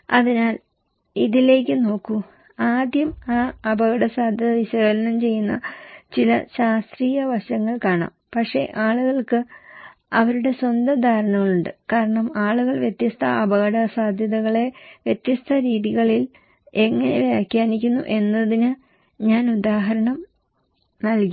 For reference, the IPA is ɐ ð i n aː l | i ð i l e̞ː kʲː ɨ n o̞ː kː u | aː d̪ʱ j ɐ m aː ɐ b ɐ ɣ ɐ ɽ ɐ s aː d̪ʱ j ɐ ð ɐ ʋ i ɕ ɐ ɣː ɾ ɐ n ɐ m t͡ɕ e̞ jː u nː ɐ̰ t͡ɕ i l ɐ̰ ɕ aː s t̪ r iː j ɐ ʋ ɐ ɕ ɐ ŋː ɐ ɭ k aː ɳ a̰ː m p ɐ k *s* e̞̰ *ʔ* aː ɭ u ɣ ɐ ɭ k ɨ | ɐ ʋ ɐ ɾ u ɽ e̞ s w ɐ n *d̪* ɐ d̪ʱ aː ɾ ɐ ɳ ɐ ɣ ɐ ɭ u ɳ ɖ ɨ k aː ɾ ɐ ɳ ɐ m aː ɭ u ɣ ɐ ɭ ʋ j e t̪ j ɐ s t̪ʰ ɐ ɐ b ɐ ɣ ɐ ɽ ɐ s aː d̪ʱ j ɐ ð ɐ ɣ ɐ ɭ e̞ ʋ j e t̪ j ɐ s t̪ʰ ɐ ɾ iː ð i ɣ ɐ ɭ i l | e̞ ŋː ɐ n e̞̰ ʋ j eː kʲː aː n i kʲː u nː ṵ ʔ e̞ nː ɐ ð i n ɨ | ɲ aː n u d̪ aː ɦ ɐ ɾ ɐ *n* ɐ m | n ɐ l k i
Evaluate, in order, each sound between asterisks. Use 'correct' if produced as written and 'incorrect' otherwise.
incorrect: ʂ, correct, correct, incorrect: ɳ

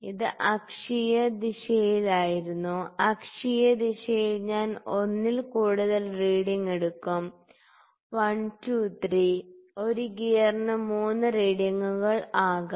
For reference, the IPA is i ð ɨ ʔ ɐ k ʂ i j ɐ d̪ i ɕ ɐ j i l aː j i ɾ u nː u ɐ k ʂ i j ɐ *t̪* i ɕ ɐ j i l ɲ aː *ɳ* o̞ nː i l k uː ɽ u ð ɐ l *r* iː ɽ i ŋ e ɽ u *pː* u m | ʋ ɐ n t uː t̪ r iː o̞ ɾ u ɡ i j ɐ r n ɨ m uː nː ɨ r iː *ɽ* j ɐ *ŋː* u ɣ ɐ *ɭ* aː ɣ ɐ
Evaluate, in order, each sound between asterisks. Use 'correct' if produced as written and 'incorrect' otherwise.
incorrect: d̪, incorrect: n, correct, incorrect: kː, correct, correct, correct

